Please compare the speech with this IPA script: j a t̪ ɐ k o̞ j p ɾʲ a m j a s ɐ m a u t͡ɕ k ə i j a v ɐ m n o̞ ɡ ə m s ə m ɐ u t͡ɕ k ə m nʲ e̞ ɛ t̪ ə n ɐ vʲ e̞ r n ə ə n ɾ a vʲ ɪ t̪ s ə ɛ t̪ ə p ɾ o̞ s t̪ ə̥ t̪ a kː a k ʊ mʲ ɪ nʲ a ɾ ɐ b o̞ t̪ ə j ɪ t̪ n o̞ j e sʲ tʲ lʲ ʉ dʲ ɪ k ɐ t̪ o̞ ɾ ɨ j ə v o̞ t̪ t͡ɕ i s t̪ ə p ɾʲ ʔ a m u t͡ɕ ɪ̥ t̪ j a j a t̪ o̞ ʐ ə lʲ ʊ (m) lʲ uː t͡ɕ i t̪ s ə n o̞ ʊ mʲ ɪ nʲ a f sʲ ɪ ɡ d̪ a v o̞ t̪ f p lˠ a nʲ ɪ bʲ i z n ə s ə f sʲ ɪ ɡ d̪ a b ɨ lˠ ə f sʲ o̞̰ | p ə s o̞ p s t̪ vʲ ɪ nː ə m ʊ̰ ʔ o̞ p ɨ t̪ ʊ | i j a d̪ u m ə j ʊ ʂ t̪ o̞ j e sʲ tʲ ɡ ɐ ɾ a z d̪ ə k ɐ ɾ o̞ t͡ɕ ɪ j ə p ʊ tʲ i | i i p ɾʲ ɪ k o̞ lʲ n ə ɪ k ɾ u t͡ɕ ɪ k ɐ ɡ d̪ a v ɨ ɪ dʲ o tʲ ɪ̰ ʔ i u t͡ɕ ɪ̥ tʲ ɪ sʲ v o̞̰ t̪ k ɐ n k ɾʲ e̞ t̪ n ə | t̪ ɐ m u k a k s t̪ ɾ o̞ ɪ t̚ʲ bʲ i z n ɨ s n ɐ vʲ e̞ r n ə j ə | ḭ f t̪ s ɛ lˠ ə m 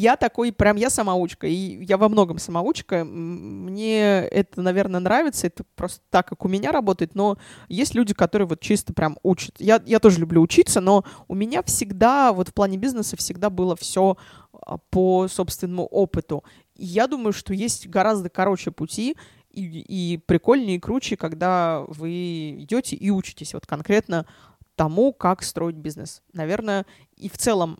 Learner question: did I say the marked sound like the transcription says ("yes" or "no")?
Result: no